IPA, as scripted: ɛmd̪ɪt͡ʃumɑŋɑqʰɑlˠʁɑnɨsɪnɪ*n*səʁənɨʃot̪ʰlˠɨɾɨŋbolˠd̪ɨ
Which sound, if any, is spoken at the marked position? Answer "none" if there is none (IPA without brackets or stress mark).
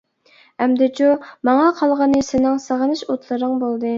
ŋ